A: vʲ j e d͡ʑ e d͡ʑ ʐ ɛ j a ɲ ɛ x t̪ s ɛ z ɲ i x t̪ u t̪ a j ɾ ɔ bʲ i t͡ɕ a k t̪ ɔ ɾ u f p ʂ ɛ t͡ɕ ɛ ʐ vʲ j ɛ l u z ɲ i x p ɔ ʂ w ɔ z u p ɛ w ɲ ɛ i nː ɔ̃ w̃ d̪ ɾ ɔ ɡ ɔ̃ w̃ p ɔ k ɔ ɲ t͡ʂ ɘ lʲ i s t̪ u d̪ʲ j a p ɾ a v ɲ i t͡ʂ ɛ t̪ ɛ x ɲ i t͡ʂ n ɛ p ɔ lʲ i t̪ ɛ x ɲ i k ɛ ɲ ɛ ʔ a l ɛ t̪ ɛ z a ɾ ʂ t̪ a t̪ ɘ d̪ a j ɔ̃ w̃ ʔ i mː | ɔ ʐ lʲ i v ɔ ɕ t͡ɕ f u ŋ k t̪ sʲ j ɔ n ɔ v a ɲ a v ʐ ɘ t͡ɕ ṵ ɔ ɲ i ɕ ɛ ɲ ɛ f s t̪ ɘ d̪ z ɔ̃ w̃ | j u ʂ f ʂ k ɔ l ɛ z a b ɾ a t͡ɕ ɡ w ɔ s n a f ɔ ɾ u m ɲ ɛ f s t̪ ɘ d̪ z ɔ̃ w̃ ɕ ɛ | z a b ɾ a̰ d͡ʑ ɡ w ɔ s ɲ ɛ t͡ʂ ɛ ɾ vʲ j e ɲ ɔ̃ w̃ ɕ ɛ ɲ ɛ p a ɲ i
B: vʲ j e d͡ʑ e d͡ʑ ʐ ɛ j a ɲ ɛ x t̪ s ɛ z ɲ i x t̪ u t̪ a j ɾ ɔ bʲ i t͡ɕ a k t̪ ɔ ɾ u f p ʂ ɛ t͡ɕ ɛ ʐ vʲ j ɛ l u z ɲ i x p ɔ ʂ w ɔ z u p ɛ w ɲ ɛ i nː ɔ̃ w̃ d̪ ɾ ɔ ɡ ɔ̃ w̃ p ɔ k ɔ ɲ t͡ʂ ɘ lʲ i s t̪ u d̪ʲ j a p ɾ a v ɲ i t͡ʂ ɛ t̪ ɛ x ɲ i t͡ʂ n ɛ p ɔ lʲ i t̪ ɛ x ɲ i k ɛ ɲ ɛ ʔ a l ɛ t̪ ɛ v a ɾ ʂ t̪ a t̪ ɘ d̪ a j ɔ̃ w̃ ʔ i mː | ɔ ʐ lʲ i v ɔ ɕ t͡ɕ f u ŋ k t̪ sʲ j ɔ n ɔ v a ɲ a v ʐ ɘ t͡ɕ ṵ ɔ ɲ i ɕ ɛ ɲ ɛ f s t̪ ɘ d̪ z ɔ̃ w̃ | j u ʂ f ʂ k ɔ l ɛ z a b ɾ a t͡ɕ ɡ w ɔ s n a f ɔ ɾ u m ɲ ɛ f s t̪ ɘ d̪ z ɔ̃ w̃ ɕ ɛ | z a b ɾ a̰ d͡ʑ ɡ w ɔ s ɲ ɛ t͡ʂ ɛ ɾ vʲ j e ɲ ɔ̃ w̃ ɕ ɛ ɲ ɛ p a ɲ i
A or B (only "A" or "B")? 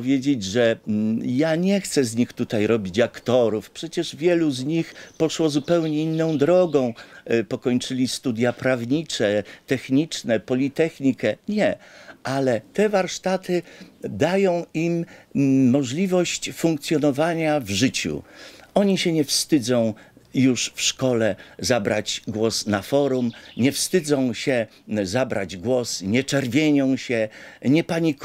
B